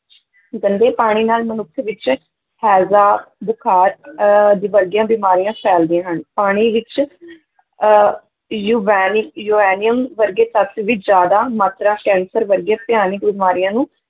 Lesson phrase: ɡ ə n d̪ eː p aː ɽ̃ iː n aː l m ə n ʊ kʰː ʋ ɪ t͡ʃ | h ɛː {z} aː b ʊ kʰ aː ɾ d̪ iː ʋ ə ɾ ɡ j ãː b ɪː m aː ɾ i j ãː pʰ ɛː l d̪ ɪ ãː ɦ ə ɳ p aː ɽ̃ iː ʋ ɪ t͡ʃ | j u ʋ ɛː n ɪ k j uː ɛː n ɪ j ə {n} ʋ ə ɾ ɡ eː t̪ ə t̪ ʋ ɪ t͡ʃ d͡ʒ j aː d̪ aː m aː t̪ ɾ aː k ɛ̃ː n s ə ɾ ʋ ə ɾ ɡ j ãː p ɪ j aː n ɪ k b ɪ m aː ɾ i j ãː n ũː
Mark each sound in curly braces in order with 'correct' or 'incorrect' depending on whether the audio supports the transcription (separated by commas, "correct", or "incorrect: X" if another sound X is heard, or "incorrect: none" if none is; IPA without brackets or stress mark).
correct, incorrect: m